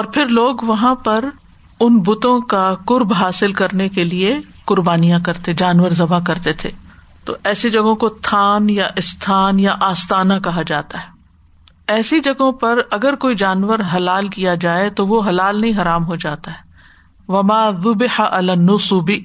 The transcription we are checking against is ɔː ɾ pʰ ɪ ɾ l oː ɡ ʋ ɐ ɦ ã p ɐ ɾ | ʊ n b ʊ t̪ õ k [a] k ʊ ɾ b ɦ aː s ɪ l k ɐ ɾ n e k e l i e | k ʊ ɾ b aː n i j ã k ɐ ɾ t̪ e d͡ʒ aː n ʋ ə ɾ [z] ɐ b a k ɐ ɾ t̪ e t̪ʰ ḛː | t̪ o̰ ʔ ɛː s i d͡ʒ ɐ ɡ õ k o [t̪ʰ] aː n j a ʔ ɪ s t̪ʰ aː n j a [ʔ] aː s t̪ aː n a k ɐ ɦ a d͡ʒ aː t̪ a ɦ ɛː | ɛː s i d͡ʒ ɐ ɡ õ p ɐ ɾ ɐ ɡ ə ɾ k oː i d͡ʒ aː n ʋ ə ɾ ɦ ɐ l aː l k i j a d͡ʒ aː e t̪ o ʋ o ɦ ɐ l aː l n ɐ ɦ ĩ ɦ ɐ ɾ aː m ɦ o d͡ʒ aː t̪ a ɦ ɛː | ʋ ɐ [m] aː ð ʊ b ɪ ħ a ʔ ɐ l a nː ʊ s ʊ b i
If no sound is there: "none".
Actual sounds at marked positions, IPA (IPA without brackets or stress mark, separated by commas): a, z, t̪ʰ, ʔ, m